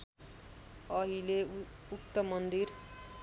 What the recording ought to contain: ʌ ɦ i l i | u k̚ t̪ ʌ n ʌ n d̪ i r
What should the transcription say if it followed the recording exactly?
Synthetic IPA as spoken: ʌ ɦ i l e | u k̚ t̪ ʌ m ʌ n d̪ i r

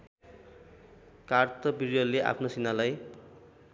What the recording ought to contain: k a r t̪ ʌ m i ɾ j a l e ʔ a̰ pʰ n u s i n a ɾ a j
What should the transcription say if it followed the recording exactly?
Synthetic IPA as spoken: k a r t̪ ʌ b i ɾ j ʌ l e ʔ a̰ pʰ n o s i n a l a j

